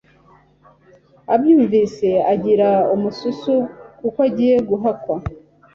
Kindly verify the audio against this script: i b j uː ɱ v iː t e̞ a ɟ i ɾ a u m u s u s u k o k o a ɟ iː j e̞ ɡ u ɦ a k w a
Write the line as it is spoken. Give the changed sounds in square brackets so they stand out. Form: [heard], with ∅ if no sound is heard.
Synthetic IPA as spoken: [a] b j uː ɱ v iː [s] e̞ a ɟ i ɾ a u m u s u s u k [u] k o a ɟ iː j e̞ ɡ u ɦ a k w a